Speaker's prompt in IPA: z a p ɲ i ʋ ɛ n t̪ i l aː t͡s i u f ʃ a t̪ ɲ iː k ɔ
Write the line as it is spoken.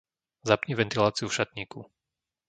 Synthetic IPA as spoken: z a p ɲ i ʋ ɛ n t̪ i l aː t͡s i u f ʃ a t̪ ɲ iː k u